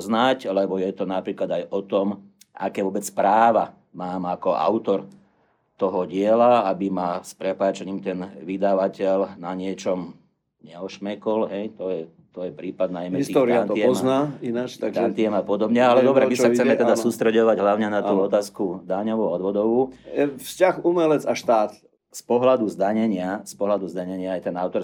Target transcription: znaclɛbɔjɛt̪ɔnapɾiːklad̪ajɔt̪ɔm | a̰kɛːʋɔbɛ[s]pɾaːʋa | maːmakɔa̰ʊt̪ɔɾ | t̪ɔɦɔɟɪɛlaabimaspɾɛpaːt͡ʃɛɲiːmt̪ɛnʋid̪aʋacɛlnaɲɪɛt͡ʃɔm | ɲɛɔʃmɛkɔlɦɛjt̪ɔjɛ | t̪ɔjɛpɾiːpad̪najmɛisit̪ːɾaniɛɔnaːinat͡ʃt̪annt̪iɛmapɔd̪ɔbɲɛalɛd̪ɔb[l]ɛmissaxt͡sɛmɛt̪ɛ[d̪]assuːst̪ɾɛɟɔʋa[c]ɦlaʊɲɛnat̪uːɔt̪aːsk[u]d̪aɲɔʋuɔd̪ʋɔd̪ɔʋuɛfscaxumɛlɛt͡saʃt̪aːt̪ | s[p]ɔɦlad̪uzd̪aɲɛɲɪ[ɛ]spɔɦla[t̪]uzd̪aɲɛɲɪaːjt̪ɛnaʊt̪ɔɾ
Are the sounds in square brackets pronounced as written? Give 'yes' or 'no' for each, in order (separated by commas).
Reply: no, no, yes, no, yes, yes, no, no